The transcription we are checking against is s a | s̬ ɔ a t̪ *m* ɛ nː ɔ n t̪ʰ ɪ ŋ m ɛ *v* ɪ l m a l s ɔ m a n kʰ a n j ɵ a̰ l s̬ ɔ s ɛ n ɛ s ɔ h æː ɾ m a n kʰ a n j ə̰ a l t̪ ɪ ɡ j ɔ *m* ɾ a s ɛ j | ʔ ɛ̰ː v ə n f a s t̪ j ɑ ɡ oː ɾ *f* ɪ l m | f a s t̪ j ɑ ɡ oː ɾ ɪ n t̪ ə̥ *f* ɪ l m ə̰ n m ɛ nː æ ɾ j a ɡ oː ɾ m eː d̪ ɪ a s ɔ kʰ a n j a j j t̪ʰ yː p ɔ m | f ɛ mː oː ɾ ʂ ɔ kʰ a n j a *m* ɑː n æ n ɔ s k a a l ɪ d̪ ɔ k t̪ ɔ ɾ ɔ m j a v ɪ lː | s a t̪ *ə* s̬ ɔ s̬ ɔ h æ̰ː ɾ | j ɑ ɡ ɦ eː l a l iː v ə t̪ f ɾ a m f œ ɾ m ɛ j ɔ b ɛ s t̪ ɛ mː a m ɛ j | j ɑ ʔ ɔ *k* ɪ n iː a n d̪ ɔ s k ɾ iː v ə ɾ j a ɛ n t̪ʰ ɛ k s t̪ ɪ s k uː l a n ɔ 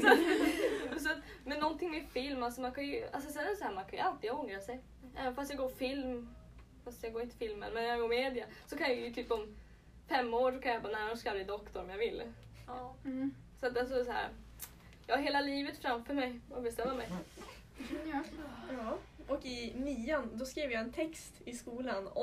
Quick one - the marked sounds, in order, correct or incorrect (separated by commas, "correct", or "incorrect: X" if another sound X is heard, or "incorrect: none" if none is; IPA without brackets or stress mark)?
correct, incorrect: f, incorrect: ŋ, correct, correct, incorrect: b, incorrect: a, correct